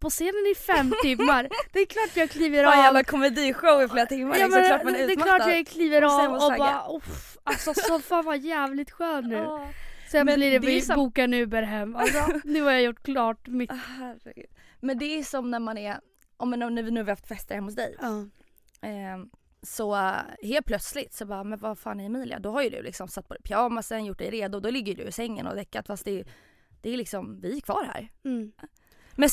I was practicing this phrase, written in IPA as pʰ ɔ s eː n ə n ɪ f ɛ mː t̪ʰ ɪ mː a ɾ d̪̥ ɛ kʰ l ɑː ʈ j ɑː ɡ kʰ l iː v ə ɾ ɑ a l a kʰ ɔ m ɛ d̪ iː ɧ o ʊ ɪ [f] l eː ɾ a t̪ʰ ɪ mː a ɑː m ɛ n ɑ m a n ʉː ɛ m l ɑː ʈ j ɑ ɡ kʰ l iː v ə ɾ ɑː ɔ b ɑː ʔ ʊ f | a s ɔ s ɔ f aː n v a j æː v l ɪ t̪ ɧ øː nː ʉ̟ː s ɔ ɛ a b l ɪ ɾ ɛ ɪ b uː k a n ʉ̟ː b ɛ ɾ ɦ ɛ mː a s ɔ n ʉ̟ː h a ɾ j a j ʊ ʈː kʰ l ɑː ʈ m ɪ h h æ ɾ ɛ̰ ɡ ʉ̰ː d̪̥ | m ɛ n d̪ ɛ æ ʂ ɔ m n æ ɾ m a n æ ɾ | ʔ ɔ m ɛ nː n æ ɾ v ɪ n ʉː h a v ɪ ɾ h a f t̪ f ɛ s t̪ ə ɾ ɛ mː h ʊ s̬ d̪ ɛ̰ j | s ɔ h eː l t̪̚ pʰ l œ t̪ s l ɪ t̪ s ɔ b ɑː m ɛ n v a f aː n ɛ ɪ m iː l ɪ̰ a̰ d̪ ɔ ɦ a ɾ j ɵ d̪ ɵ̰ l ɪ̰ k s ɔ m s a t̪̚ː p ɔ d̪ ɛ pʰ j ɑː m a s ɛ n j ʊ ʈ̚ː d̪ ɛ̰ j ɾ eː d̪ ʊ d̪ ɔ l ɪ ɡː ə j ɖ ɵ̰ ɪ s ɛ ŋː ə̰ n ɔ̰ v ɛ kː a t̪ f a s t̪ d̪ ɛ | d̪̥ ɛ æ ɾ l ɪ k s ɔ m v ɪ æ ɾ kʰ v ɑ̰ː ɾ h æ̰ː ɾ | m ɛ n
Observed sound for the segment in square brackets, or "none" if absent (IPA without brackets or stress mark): f